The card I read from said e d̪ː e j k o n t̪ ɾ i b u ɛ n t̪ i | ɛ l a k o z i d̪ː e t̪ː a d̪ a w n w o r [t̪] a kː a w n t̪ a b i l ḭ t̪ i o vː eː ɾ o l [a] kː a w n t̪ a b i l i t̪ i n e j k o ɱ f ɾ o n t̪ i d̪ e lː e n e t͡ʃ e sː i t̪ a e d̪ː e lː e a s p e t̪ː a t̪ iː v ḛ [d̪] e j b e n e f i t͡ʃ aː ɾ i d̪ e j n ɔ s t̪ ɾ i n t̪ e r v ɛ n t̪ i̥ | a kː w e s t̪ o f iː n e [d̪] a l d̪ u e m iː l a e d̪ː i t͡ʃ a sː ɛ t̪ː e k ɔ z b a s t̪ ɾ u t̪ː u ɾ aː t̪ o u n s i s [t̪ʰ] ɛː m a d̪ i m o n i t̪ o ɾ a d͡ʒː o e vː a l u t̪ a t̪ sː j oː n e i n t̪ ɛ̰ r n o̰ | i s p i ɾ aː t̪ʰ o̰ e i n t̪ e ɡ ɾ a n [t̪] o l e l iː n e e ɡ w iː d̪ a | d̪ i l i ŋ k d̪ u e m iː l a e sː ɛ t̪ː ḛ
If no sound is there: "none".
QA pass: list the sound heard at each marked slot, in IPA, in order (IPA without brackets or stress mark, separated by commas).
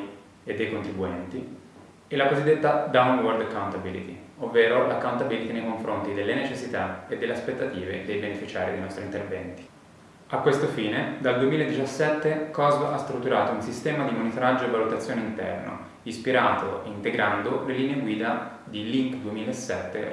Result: d̪, a, d̪, d̪, t̪, d̪